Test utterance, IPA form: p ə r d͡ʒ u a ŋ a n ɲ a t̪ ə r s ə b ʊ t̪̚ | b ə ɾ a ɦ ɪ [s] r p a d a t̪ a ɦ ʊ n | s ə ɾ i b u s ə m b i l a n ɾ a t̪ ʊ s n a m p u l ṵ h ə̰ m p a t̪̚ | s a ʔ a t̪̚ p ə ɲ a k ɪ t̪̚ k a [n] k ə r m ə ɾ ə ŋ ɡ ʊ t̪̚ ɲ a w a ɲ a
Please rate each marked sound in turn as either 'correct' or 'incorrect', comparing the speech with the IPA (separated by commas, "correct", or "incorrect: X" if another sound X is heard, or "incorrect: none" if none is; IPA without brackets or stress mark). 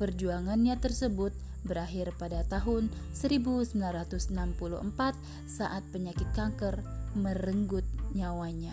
incorrect: none, incorrect: ŋ